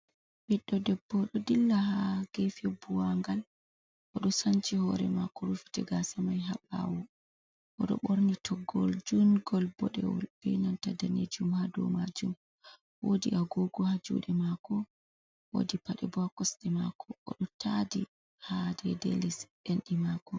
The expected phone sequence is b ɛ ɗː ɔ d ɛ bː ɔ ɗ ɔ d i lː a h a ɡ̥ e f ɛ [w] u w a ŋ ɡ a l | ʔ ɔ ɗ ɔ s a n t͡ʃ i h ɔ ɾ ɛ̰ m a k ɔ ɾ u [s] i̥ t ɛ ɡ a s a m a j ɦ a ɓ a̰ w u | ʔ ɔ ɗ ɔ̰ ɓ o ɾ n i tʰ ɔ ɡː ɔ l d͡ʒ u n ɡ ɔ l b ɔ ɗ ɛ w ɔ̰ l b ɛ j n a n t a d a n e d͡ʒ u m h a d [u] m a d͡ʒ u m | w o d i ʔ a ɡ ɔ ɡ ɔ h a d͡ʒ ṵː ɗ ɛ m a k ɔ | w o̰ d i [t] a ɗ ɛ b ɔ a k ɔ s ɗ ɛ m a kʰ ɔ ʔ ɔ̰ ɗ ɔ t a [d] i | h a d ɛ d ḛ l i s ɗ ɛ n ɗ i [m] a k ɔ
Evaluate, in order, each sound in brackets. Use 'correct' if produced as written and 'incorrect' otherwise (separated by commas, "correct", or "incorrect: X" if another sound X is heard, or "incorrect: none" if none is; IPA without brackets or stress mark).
incorrect: b, incorrect: f, incorrect: ɔ, incorrect: p, correct, correct